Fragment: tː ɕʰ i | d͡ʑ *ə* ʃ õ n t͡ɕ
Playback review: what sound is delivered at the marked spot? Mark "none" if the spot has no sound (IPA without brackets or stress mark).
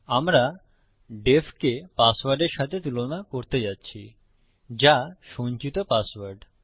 a